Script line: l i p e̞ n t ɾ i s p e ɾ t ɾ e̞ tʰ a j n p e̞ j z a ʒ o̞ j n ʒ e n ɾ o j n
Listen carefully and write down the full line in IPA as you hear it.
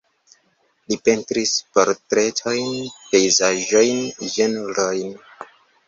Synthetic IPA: l i p e̞ n t ɾ i s p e ɾ t ɾ e̞ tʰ a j n p e̞ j z a ʒ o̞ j n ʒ e n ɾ o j n